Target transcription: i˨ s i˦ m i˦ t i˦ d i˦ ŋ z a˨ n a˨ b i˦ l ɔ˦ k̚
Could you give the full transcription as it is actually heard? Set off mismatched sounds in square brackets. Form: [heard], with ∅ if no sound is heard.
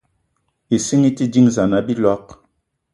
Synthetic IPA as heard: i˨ s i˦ [ŋ] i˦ t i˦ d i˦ ŋ z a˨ n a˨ b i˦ l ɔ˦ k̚